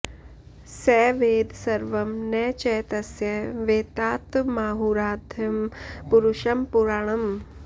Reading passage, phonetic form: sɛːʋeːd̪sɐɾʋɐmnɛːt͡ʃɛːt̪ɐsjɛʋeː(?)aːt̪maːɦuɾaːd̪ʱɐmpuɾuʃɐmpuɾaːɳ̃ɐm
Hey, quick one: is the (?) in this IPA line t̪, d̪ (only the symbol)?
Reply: t̪